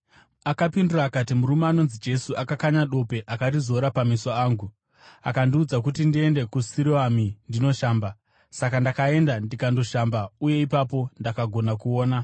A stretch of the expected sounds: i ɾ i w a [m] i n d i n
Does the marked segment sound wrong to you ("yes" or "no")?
no